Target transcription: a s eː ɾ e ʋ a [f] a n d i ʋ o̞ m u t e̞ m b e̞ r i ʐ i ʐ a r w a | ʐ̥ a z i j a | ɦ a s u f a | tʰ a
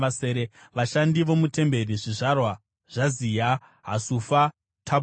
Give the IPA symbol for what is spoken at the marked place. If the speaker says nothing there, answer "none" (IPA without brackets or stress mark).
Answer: ʃ